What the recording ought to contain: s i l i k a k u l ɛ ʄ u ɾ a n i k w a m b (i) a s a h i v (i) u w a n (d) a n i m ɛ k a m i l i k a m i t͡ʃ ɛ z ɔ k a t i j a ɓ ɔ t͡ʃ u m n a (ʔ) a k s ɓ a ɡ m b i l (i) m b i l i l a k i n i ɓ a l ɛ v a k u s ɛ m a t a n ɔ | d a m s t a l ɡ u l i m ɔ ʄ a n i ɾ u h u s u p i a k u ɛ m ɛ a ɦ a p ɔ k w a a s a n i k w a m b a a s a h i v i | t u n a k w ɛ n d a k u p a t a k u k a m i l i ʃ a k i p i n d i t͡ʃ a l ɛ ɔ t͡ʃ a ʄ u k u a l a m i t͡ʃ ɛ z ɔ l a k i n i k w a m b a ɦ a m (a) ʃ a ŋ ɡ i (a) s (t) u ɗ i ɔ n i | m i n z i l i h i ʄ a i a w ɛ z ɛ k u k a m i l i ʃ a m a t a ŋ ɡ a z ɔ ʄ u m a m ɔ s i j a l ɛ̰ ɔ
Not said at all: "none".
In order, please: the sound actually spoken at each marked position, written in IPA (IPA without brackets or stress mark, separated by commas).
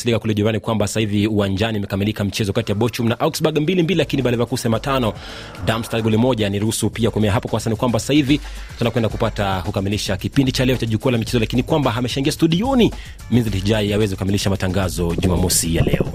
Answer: a, i, d͡ʒ, ʔ, i, ɛ, a, t